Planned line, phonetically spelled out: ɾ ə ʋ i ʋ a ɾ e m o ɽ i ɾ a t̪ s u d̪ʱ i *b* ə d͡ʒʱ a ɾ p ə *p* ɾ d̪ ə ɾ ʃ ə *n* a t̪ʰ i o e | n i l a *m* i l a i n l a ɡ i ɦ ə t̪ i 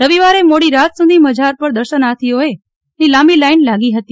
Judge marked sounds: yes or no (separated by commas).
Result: no, no, yes, yes